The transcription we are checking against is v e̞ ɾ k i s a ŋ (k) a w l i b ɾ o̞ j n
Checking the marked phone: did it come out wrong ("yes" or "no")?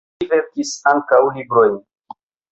no